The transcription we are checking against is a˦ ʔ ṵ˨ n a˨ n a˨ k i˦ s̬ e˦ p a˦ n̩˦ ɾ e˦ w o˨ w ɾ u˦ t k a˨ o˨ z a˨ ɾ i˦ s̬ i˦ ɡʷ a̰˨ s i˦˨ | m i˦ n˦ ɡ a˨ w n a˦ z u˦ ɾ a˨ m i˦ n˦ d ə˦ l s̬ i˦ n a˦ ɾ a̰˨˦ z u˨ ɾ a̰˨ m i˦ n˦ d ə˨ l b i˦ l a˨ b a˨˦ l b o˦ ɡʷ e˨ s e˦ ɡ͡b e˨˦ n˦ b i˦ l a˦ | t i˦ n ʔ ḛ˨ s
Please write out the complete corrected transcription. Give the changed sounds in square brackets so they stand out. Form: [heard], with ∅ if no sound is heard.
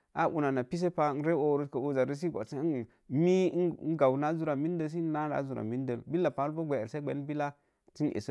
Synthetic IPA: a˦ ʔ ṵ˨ n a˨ n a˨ [p] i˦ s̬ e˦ p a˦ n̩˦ ɾ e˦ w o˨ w ɾ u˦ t k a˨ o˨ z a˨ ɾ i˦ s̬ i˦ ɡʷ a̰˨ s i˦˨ | m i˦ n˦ ɡ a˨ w n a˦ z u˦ ɾ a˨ m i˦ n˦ d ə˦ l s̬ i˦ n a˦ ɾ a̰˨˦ z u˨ ɾ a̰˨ m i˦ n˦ d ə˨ l b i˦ l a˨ [p] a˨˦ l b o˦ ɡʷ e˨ s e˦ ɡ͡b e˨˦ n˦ b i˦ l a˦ | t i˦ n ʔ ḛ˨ s